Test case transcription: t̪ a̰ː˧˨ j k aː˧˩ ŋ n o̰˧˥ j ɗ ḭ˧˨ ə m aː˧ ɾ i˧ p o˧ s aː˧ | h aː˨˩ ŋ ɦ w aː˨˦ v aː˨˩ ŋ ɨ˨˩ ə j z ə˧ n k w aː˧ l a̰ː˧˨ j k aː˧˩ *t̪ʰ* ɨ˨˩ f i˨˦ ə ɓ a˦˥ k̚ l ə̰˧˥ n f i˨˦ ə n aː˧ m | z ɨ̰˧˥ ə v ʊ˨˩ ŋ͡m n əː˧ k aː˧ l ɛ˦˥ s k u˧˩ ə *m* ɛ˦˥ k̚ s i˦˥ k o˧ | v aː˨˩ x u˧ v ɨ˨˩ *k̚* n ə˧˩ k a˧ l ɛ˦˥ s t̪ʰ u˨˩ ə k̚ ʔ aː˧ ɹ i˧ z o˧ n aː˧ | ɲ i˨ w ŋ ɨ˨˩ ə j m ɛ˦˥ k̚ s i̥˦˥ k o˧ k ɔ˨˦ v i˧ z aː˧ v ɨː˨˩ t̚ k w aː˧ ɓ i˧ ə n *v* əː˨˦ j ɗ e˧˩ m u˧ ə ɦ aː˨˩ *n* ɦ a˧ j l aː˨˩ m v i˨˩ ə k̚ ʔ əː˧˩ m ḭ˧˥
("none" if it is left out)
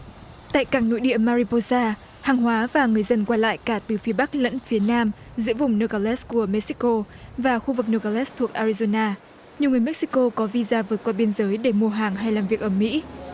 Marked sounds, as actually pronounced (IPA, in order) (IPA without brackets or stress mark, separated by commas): t̪, m, k̚, z, ŋ